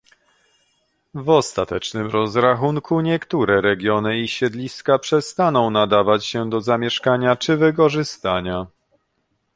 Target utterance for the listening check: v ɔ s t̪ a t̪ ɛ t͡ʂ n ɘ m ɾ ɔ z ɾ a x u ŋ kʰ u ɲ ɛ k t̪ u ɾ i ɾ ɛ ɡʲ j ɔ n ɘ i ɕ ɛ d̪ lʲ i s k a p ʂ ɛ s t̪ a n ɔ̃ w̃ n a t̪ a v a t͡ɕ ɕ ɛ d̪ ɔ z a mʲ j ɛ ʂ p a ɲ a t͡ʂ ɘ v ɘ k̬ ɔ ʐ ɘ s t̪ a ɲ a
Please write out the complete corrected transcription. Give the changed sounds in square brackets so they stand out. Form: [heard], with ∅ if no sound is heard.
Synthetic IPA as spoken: v ɔ s t̪ a t̪ ɛ t͡ʂ n ɘ m ɾ ɔ z ɾ a x u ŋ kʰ u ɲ ɛ k t̪ u ɾ [ɛ] ɾ ɛ ɡʲ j ɔ n ɘ i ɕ ɛ d̪ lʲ i s k a p ʂ ɛ s t̪ a n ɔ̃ w̃ n a [d̪] a v a t͡ɕ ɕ ɛ d̪ ɔ z a mʲ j ɛ ʂ [k] a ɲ a t͡ʂ ɘ v ɘ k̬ ɔ ʐ ɘ s t̪ a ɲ a